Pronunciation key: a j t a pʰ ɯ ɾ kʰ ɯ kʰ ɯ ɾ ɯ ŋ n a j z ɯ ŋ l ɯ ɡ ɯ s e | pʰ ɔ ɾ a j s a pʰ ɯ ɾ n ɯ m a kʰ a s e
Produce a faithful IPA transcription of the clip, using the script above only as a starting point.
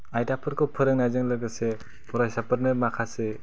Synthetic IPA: a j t a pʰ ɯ ɾ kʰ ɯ pʰ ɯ ɾ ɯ ŋ n a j z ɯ ŋ l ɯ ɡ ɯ s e | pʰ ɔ ɾ a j s a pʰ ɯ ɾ n ɯ m a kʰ a s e